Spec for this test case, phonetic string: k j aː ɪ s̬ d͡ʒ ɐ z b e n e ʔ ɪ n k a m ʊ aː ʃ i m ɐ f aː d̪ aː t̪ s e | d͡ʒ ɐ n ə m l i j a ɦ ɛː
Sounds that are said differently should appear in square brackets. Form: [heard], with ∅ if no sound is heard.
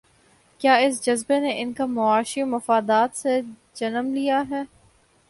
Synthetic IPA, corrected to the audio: k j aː ɪ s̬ d͡ʒ ɐ z b e n e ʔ ɪ n k a m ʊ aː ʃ i m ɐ f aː d̪ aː t̪ s e | d͡ʒ ɐ n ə m l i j a ɦ ɛː